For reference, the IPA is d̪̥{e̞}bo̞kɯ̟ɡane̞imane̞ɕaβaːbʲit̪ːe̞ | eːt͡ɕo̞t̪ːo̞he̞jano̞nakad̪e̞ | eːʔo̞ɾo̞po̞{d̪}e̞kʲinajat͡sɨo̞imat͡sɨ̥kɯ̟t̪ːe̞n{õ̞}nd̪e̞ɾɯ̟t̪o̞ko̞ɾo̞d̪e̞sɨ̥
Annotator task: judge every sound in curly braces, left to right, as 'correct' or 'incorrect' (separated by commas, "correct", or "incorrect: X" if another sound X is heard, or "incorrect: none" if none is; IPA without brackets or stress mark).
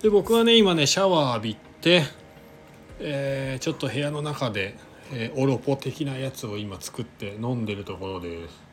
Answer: correct, incorrect: t̪, correct